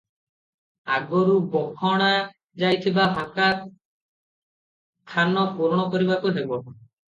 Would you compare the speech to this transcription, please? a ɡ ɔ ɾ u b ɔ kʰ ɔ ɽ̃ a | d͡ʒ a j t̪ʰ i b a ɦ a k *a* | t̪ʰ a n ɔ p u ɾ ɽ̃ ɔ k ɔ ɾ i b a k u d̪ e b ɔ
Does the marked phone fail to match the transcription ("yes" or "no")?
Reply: no